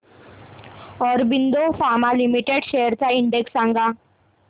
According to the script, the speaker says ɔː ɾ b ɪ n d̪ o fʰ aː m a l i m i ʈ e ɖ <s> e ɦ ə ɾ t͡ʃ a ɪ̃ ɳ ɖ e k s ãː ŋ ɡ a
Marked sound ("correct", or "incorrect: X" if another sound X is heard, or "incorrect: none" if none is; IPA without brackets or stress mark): incorrect: ʃ